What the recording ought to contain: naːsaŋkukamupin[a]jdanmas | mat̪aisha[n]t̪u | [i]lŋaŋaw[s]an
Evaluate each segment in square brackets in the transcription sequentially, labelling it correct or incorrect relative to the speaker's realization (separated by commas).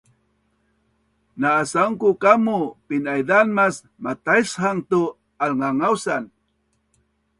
correct, incorrect, incorrect, correct